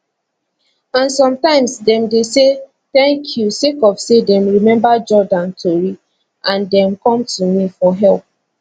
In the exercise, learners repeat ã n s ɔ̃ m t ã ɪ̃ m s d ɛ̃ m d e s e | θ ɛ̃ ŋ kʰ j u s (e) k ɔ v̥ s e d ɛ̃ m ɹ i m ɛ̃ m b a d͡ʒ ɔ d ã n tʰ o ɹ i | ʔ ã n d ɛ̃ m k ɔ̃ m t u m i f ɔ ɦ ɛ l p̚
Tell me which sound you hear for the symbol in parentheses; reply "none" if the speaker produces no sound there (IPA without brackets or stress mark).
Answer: e